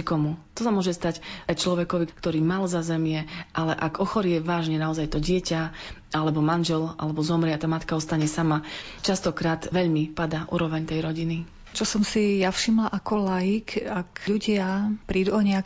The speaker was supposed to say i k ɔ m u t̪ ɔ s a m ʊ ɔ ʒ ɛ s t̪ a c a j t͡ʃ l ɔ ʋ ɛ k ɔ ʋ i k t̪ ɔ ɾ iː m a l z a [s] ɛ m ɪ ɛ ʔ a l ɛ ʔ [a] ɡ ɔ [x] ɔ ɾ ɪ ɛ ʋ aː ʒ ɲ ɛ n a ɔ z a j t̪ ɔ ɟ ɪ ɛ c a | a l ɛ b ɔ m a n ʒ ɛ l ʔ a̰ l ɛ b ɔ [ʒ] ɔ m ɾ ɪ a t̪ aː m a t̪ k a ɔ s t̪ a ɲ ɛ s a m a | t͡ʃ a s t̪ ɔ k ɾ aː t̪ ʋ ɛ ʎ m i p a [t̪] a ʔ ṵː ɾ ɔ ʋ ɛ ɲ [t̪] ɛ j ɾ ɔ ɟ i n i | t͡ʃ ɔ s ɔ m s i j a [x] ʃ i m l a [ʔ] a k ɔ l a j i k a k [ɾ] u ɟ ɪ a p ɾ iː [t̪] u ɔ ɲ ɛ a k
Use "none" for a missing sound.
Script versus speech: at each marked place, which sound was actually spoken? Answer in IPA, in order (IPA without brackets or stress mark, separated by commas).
z, a, x, z, d̪, t̪, f, ʔ, ʎ, d̪